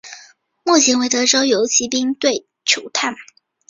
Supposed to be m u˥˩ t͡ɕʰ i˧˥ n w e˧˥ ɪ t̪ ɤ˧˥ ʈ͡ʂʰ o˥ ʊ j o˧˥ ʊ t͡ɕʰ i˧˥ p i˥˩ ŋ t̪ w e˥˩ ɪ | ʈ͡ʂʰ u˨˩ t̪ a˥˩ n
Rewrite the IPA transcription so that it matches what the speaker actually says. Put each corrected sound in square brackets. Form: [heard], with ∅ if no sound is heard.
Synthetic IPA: m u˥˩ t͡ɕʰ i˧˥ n w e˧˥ ɪ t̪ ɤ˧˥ [ʈ͡ʂ] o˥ ʊ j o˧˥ ʊ t͡ɕʰ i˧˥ p [i˥] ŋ t̪ w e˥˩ ɪ | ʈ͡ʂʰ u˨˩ [t̪ʰ] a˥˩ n